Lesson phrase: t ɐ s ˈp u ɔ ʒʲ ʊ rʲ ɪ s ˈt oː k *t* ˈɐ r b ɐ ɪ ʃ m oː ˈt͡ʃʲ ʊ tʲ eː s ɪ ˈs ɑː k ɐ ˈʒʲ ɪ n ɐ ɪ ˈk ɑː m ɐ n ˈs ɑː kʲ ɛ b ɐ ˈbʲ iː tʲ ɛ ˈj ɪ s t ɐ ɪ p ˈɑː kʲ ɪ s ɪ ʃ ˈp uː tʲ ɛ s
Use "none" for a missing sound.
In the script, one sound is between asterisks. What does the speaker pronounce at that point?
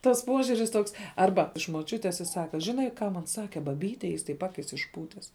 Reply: s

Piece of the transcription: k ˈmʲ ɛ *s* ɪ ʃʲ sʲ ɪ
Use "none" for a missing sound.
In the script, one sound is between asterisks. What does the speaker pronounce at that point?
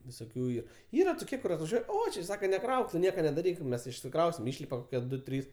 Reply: s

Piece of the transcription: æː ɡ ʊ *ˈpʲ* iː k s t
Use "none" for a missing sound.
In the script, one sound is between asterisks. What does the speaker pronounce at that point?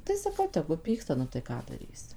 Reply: pʲ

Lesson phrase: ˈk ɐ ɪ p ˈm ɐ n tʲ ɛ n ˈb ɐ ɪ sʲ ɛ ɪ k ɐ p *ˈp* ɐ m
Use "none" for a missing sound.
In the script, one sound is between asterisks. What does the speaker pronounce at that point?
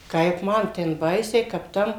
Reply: t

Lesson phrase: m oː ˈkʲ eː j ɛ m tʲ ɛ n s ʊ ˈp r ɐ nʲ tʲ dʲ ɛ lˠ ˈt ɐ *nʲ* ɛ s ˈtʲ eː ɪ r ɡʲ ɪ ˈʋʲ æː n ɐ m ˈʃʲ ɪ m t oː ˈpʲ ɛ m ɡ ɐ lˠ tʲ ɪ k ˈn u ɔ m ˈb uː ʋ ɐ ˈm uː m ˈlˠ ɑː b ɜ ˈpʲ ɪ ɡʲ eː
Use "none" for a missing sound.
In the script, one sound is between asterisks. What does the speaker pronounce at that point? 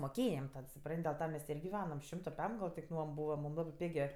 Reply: mʲ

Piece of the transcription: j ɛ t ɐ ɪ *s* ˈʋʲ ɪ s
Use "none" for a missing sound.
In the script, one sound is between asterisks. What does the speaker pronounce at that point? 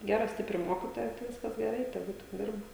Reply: none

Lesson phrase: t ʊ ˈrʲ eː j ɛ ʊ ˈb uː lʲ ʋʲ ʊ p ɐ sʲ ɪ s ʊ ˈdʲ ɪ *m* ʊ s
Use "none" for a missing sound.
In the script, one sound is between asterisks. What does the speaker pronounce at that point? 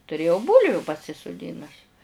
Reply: n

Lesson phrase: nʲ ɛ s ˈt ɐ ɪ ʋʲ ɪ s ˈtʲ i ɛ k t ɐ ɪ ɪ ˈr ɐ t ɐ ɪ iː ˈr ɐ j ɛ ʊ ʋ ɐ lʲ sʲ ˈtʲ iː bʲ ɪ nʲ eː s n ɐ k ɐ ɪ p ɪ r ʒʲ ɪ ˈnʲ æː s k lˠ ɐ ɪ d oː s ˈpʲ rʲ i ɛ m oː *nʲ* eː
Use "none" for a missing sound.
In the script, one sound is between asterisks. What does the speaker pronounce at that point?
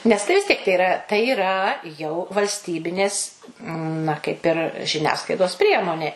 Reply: nʲ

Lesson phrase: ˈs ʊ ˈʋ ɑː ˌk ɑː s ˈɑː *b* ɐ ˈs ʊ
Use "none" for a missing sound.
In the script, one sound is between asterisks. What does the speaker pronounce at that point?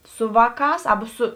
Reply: b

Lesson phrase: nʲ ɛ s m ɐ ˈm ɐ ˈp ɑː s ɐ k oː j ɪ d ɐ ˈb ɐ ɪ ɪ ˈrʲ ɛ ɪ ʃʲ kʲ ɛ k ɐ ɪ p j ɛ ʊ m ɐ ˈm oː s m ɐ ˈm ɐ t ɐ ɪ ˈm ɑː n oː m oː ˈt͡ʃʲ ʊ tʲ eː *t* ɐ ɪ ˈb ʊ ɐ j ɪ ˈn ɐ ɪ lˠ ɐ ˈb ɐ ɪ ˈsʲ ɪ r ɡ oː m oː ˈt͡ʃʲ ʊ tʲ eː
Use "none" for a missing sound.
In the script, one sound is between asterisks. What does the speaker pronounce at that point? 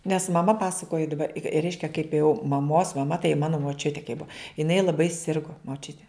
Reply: k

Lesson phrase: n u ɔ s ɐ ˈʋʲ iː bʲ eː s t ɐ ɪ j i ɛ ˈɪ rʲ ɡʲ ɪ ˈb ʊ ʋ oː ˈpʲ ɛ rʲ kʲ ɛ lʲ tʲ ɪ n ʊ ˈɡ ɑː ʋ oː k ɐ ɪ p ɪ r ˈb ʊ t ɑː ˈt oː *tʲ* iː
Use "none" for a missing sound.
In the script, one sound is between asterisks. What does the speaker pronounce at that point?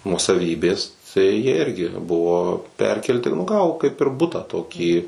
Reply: kʲ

